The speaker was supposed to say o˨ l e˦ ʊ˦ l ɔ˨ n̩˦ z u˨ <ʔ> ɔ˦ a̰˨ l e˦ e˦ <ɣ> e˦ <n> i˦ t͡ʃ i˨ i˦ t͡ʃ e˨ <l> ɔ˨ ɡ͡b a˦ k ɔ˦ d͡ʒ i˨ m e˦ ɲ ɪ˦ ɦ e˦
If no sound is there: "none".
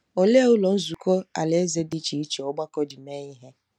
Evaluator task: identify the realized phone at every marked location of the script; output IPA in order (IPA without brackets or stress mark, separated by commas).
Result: k, z, d, none